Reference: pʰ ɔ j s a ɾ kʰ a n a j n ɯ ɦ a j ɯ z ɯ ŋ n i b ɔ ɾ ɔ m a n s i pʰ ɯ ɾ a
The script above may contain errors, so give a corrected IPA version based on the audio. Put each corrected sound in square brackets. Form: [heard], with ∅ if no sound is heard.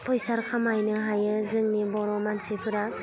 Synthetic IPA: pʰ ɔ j s a ɾ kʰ a [m] a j n ɯ ɦ a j ɯ z ɯ ŋ n i b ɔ ɾ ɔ m a n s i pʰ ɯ ɾ a